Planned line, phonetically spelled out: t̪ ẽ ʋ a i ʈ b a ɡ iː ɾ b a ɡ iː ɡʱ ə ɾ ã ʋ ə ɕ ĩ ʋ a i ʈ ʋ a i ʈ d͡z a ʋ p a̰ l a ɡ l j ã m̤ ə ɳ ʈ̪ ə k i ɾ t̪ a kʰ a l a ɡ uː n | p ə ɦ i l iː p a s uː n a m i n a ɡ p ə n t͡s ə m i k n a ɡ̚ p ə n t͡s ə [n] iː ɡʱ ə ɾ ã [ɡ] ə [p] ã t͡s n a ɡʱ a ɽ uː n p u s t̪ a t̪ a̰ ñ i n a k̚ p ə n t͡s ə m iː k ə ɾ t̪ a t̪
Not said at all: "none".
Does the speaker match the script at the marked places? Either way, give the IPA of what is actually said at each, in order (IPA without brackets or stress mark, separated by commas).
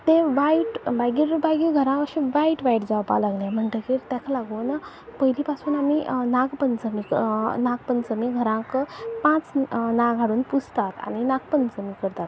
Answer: m, k, p